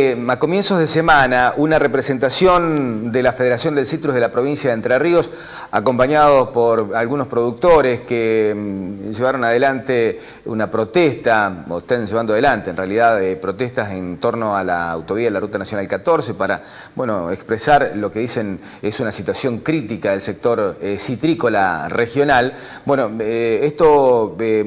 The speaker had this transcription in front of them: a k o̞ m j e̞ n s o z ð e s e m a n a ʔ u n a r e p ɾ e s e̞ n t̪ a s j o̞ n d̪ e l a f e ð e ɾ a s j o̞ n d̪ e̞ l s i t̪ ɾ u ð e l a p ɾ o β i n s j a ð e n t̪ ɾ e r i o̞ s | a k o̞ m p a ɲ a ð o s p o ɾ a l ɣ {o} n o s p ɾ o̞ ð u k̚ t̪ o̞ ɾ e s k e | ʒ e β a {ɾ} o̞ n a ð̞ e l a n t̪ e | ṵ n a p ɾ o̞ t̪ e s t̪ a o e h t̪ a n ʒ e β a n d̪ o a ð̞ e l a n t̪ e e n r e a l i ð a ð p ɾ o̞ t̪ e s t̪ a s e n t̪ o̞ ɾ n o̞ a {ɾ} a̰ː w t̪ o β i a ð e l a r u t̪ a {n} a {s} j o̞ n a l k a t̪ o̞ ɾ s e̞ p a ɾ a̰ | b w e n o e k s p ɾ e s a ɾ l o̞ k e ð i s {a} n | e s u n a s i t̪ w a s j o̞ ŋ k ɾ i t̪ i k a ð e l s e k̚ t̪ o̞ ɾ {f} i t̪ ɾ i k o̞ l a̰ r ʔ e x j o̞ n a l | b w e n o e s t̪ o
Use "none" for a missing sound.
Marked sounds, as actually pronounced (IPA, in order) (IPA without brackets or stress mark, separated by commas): u, ɾ, l, n, s, e, s